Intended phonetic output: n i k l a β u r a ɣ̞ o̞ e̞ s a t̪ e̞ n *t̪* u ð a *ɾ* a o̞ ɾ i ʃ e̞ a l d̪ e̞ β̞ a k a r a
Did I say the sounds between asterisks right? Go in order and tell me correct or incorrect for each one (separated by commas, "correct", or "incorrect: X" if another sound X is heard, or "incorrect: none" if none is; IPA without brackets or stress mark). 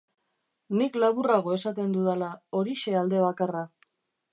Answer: incorrect: d̪, incorrect: l